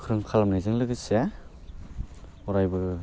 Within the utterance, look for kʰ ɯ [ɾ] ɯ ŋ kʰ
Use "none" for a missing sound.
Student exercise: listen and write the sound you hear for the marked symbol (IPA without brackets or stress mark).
ɾ